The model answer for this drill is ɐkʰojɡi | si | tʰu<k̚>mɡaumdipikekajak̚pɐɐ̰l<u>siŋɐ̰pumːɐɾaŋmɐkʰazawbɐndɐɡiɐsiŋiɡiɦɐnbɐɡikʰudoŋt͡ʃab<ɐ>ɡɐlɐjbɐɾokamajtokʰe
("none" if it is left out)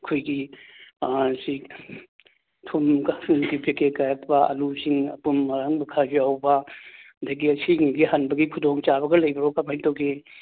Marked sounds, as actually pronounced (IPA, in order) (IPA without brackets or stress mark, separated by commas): none, u, ɐ